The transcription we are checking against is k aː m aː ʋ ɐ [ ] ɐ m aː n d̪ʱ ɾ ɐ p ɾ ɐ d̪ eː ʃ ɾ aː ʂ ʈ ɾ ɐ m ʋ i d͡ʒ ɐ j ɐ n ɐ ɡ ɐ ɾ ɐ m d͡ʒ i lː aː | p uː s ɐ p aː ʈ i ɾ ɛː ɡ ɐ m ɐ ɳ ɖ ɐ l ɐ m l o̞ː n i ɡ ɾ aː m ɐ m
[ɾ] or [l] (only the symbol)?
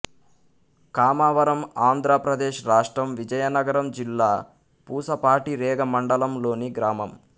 ɾ